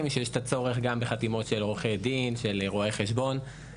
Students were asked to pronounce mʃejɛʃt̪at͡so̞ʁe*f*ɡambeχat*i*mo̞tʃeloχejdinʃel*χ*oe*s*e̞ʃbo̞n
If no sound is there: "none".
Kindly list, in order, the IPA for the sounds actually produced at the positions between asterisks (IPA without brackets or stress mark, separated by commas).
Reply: χ, i, ʁ, χ